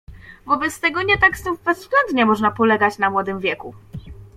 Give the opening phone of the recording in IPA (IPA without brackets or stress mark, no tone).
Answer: v